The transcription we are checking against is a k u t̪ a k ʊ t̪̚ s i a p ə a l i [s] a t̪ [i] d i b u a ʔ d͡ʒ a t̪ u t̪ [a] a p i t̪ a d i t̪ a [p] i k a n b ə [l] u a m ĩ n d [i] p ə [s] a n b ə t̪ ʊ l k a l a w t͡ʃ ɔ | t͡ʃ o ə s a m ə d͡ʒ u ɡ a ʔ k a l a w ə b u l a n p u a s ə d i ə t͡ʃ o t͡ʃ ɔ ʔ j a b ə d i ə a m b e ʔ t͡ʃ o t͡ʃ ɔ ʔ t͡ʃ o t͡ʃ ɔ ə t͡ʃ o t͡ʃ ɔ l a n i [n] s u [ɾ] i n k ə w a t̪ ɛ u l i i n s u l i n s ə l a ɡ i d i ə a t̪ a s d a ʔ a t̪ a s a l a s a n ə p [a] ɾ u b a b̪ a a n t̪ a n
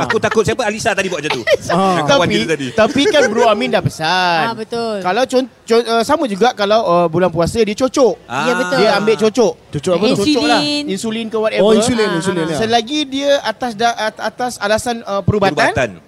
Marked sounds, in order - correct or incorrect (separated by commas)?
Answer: correct, incorrect, correct, correct, incorrect, incorrect, correct, correct, incorrect, incorrect